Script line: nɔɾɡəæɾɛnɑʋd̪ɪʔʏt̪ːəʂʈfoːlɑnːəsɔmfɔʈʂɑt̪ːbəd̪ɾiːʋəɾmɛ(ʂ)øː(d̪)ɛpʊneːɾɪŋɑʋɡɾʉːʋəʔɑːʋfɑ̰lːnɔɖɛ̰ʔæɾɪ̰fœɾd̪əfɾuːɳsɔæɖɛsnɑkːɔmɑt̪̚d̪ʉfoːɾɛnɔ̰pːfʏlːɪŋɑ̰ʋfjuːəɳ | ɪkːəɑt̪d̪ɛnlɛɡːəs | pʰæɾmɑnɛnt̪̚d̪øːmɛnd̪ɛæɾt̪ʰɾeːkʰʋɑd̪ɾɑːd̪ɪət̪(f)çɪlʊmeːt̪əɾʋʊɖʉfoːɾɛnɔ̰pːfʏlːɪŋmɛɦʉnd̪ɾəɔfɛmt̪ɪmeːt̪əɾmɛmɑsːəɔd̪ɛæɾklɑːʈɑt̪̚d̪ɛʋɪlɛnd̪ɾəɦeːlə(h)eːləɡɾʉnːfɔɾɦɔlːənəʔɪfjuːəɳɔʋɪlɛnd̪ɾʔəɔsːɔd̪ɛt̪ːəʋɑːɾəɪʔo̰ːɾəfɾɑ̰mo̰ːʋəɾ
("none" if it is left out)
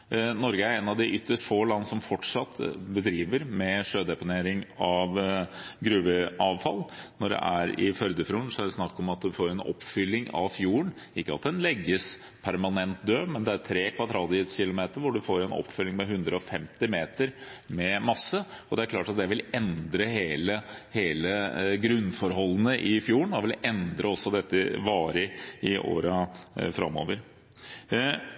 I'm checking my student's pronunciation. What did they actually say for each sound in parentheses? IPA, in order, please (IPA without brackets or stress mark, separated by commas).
ʂ, d̪, s, h